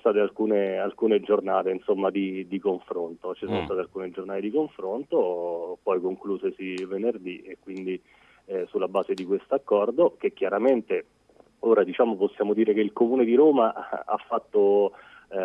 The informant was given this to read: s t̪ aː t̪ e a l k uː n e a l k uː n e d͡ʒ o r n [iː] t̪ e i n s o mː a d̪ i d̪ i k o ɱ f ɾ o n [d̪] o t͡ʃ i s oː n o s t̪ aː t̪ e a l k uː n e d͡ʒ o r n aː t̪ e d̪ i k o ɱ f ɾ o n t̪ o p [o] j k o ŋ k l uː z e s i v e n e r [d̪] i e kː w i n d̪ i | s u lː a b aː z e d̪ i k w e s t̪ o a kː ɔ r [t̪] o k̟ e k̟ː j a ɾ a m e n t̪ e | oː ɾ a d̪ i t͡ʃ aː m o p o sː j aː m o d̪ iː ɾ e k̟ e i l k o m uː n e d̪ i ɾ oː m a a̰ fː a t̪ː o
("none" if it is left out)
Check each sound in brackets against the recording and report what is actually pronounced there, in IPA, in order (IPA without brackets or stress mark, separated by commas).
aː, t̪, ɔ, d̪, d̪